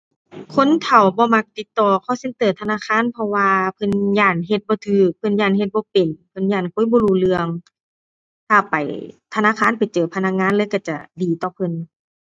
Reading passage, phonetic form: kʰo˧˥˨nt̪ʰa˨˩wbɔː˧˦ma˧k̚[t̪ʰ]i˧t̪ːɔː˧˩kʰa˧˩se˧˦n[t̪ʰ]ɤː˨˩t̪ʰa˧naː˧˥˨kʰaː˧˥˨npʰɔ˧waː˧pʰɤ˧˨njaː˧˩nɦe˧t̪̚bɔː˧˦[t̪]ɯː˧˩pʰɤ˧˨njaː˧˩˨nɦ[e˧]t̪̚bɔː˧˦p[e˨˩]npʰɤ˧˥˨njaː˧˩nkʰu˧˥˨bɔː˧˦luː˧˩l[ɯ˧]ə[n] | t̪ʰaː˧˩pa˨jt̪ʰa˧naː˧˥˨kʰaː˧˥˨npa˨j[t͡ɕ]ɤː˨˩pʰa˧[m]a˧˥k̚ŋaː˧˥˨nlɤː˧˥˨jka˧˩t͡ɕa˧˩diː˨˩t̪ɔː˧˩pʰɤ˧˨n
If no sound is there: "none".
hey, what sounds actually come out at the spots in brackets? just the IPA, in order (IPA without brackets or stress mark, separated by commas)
t̪, t̪, t̪ʰ, e˧, e˨˩, ɯ˧, ŋ, t͡ɕ, n